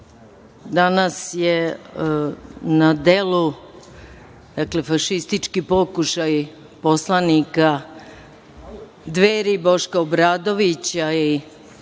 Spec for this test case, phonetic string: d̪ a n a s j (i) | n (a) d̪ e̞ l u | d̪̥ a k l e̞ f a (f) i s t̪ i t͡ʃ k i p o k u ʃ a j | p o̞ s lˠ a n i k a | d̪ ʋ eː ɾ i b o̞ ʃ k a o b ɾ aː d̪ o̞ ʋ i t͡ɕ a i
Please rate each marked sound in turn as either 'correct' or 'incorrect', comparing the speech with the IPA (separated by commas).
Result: incorrect, correct, incorrect